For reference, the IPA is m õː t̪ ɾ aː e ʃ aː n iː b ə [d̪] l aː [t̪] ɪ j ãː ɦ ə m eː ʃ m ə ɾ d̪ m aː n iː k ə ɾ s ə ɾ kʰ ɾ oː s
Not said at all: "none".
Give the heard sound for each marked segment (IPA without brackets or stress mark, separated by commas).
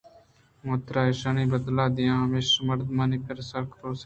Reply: d̪, d̪